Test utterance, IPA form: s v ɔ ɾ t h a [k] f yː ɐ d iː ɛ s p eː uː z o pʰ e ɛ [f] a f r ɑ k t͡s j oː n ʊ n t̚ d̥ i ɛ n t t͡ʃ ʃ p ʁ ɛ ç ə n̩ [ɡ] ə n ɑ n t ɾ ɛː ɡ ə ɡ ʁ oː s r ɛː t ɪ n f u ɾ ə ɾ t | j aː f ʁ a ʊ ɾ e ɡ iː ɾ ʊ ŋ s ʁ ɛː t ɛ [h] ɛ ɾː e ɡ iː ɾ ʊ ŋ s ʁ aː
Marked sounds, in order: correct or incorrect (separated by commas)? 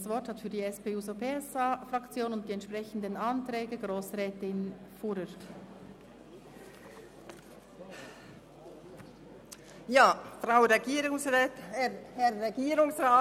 incorrect, incorrect, incorrect, correct